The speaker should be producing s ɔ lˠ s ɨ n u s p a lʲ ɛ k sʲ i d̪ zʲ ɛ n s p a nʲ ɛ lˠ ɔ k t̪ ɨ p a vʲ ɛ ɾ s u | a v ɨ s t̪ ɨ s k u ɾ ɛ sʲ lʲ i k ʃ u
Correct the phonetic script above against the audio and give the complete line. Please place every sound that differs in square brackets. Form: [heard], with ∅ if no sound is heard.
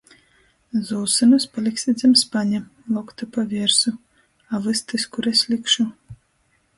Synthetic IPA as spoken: [z] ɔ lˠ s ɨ n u s p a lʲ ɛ k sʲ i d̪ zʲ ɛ [m] s p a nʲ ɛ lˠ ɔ k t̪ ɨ p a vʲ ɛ ɾ s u | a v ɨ s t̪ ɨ s k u ɾ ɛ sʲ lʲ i k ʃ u